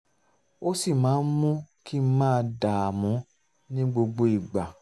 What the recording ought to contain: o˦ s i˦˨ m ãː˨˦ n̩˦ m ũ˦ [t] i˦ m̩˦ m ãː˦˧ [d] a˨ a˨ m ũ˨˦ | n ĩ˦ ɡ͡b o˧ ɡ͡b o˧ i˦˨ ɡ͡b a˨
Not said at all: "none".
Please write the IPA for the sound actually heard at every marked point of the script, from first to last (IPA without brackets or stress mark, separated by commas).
k, d